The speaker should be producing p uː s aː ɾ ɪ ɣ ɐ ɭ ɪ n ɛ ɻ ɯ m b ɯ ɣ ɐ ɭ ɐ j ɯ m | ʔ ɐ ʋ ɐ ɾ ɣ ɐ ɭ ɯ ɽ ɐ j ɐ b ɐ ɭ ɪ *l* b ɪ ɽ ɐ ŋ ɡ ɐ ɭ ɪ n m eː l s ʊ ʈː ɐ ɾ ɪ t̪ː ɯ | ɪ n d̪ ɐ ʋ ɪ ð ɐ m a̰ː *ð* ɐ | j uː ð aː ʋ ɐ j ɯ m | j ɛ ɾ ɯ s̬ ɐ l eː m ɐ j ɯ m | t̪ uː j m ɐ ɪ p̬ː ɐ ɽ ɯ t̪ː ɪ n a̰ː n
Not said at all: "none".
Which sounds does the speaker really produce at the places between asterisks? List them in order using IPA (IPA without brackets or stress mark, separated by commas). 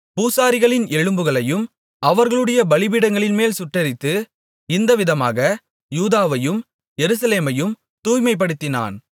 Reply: none, ɣ